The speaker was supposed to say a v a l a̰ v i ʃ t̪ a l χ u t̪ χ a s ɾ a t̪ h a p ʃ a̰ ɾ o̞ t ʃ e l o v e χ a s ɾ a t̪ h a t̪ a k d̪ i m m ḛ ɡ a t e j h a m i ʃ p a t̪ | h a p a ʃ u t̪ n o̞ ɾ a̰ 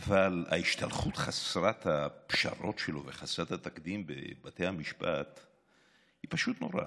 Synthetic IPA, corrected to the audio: a v a l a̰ i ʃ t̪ a l χ u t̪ χ a s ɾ a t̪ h a p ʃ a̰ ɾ o̞ t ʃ e l o v e χ a s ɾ a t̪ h a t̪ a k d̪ i m b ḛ b a t e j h a m i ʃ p a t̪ | h i p a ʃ u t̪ n o̞ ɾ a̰